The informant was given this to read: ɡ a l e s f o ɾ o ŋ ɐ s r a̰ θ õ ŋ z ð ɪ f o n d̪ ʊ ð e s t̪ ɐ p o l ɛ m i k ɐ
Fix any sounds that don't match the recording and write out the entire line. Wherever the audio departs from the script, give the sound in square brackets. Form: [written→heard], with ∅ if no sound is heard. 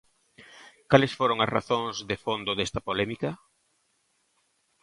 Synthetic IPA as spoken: [ɡ→k] a l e s f o ɾ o ŋ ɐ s r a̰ θ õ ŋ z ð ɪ f o n d̪ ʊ ð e s t̪ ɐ p o l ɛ m i k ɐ